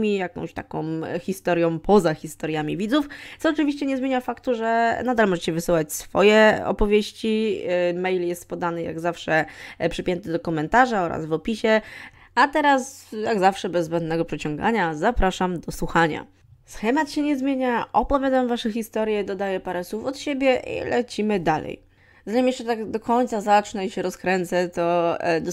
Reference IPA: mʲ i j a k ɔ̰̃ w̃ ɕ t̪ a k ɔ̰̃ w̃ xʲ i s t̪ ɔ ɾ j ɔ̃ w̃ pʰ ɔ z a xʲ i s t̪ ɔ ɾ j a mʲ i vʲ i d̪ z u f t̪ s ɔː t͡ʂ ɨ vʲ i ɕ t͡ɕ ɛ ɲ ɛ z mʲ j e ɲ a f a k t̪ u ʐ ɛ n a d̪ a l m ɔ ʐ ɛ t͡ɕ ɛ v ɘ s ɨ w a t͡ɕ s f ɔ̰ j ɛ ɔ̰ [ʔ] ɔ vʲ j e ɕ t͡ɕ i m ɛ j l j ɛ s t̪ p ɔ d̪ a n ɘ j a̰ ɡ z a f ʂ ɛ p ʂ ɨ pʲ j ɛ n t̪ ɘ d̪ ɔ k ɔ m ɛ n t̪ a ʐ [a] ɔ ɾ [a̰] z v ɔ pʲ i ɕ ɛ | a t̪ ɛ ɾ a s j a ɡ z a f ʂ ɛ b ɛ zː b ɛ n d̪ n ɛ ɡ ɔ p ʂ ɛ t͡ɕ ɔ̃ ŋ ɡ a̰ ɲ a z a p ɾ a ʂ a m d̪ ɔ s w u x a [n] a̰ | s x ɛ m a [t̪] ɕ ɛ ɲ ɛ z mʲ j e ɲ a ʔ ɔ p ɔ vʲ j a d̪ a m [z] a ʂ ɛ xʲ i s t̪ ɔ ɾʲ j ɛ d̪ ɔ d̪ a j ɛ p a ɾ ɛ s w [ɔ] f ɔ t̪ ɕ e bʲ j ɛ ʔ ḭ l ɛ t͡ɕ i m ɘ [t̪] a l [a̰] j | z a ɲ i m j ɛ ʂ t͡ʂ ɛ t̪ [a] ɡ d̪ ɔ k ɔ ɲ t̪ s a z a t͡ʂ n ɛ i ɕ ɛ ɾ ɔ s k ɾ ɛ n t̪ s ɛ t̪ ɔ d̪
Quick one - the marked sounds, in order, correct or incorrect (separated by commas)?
incorrect, correct, correct, incorrect, correct, incorrect, incorrect, incorrect, incorrect, correct